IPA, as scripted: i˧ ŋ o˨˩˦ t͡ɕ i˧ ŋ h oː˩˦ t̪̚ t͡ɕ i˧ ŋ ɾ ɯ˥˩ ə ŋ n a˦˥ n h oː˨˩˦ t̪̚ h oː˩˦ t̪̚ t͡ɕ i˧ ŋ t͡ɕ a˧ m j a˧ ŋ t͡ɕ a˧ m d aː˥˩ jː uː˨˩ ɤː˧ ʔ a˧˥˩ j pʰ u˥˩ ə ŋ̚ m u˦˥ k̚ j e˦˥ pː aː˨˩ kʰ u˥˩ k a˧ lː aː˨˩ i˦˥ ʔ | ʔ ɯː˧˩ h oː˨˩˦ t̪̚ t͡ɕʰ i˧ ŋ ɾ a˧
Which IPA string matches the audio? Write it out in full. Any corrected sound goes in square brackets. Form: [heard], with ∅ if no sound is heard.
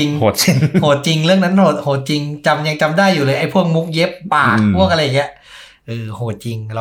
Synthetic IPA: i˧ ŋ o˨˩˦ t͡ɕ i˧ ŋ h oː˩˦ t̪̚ t͡ɕ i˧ ŋ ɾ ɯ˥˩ ə ŋ n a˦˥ n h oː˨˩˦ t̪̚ h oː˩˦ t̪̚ t͡ɕ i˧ ŋ t͡ɕ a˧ m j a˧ ŋ t͡ɕ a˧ m d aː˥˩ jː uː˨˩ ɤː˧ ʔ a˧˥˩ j pʰ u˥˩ ə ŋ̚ m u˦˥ k̚ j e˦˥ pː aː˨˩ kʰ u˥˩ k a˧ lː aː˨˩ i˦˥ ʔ | ʔ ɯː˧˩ h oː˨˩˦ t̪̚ [t͡ɕ] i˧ ŋ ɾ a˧